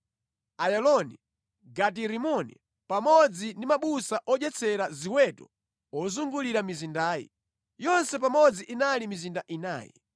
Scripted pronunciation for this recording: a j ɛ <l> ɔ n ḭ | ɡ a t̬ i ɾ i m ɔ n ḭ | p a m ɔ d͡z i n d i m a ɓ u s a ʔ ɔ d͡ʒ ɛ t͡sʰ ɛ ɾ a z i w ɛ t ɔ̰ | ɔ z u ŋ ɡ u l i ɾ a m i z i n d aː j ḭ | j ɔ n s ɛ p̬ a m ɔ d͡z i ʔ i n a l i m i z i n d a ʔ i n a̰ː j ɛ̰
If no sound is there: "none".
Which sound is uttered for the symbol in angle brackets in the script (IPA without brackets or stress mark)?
l